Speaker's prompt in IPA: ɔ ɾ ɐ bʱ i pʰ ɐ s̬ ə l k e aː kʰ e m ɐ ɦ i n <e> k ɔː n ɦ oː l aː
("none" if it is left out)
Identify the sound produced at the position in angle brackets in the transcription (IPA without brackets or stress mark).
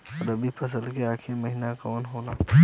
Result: a